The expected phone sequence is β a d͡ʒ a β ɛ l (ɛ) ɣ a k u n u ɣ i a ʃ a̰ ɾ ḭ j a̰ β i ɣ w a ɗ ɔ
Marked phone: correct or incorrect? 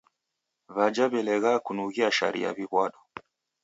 correct